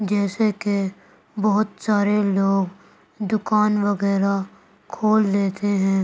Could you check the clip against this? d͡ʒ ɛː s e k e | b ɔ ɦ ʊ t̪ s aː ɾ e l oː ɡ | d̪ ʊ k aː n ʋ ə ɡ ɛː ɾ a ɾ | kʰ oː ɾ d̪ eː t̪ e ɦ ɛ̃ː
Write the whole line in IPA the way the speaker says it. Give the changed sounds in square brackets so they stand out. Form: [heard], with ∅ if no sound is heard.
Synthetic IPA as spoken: d͡ʒ ɛː s e k e | b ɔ ɦ ʊ t̪ s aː ɾ e l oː ɡ | d̪ ʊ k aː n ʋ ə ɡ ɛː ɾ a [∅] | kʰ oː [l] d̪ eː t̪ e ɦ ɛ̃ː

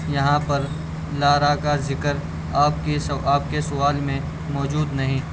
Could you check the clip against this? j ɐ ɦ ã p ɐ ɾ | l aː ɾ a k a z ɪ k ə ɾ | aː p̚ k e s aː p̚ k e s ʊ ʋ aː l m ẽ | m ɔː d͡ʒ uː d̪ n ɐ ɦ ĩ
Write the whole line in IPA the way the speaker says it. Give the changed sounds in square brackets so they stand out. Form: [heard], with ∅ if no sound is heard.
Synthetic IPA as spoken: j ɐ ɦ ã p ɐ ɾ | l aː ɾ a k a z ɪ k ə ɾ | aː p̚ k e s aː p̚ k e s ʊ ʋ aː l m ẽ | m ɔː d͡ʒ uː d̪ n ɐ ɦ ĩ

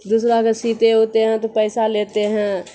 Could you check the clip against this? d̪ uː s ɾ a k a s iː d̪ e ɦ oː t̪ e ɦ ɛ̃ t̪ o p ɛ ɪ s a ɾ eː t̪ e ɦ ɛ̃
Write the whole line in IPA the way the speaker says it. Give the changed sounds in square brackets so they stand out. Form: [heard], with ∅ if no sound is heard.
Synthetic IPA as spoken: d̪ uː s ɾ a k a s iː [t̪] e ɦ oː t̪ e ɦ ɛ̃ t̪ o p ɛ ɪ s a [l] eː t̪ e ɦ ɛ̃

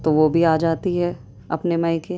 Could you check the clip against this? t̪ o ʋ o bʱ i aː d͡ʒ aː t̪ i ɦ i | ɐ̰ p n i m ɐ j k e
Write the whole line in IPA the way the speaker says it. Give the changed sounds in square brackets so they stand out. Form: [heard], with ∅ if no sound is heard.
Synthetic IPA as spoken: t̪ o ʋ o bʱ i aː d͡ʒ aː t̪ i ɦ [ɛ] | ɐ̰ p n [e] m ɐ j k e

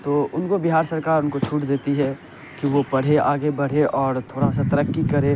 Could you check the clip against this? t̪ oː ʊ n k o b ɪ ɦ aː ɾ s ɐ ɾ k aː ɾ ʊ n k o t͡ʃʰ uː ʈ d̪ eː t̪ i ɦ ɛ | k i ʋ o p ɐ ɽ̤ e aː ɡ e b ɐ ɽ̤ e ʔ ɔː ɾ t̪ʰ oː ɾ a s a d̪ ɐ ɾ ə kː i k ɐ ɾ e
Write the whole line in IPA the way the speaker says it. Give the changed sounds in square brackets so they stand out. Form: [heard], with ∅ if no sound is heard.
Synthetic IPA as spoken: t̪ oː ʊ n k o b ɪ ɦ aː ɾ s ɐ ɾ k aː ɾ ʊ n k o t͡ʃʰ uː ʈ d̪ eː t̪ i ɦ ɛ | k i ʋ o p ɐ ɽ̤ e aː ɡ e b ɐ ɽ̤ e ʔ ɔː ɾ t̪ʰ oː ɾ a s a [t̪] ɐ ɾ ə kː i k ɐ ɾ e

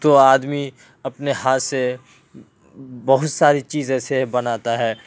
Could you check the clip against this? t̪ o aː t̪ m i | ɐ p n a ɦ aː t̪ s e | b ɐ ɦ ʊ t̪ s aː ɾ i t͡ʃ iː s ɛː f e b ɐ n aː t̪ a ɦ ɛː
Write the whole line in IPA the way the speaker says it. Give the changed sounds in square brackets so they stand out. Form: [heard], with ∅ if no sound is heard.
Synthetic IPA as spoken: t̪ o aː [d̪] m i | ɐ p n [e] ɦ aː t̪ s e | b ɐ ɦ ʊ t̪ s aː ɾ i t͡ʃ iː [z] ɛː [s] e b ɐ n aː t̪ a ɦ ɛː

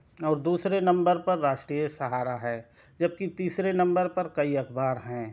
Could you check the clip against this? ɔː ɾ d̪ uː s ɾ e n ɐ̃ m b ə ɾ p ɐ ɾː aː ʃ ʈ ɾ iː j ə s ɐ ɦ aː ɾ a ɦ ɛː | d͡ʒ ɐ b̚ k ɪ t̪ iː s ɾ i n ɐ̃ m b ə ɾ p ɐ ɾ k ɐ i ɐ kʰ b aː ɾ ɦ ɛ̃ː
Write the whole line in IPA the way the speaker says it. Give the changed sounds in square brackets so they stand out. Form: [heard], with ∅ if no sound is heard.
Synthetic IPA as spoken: ɔː ɾ d̪ uː s ɾ e n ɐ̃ m b ə ɾ p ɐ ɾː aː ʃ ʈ ɾ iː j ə s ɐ ɦ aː ɾ a ɦ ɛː | d͡ʒ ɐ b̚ k [i] t̪ iː s ɾ [e] n ɐ̃ m b ə ɾ p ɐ ɾ k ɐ i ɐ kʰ b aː ɾ ɦ ɛ̃ː

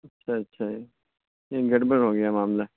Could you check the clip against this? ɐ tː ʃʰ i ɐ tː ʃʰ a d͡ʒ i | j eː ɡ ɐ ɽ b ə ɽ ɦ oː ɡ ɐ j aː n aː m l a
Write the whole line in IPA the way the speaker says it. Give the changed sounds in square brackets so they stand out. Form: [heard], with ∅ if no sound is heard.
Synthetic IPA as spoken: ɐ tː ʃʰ [a] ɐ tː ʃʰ a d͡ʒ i | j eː ɡ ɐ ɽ b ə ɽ ɦ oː ɡ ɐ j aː [m] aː m l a

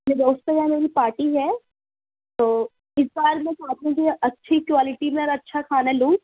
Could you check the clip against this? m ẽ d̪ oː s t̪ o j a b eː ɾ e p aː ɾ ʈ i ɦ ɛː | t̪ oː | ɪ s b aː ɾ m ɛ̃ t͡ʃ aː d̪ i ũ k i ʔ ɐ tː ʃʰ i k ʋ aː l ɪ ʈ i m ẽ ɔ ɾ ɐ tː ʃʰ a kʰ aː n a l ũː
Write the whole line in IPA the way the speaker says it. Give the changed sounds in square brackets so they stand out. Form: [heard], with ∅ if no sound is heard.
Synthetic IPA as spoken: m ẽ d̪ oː s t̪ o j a [m] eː ɾ [i] p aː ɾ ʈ i ɦ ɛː | t̪ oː | ɪ s b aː ɾ m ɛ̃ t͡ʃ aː [t̪] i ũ k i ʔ ɐ tː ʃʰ i k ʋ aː l ɪ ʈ i m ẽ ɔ ɾ ɐ tː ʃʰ a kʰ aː n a l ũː

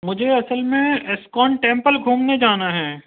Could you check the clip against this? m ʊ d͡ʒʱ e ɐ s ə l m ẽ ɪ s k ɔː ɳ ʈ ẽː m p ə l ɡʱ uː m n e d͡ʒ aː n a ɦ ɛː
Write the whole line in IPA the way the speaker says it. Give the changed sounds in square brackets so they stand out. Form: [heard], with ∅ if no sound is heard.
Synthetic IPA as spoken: m ʊ d͡ʒʱ e ɐ s ə l m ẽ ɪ s k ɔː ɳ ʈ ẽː m p ə l ɡʱ uː m n e d͡ʒ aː n a ɦ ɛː

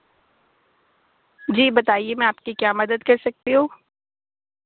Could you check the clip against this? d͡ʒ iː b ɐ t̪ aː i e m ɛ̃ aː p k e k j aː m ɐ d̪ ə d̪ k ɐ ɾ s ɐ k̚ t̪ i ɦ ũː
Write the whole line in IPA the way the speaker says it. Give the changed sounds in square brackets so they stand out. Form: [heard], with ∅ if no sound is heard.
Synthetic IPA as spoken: d͡ʒ iː b ɐ t̪ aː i e m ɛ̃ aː p k [i] k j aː m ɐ d̪ ə d̪ k ɐ ɾ s ɐ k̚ t̪ i ɦ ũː

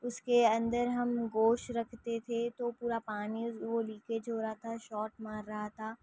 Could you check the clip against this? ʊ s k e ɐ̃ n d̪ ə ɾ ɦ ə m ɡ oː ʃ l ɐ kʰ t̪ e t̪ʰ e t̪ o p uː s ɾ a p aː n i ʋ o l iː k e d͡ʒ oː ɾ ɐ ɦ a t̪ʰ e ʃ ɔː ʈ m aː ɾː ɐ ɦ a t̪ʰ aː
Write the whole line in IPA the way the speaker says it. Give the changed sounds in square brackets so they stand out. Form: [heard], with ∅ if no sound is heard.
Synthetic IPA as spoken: ʊ s k e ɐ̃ n d̪ ə ɾ ɦ [ɐ] m ɡ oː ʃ [ɾ] ɐ kʰ t̪ e t̪ʰ e t̪ o p uː [∅] ɾ a p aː n i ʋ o l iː k e d͡ʒ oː ɾ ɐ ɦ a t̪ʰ [a] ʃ ɔː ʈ m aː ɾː ɐ ɦ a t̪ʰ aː

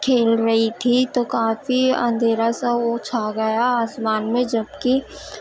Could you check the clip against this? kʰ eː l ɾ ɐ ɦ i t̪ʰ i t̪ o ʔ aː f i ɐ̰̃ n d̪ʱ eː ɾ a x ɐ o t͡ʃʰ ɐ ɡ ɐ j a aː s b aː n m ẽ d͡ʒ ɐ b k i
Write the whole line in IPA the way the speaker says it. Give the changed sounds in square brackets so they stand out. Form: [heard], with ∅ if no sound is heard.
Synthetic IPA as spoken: kʰ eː l ɾ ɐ ɦ i t̪ʰ i t̪ o [k] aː f i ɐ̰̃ n d̪ʱ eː ɾ a [s] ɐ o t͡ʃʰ [a] ɡ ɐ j a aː s [m] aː n m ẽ d͡ʒ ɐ b k i

